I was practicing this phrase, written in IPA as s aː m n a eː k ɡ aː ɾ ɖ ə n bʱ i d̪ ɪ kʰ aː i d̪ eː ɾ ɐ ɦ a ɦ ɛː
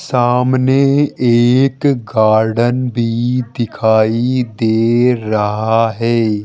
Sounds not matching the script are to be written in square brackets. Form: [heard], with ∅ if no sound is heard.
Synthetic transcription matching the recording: s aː m n [e] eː k ɡ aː ɾ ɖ ə n bʱ i d̪ ɪ kʰ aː i d̪ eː ɾ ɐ ɦ a ɦ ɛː